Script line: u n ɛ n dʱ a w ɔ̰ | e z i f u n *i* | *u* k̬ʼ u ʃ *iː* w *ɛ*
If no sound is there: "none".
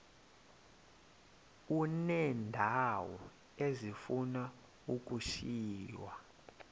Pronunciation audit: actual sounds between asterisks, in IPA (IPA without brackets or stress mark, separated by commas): a, u, iː, a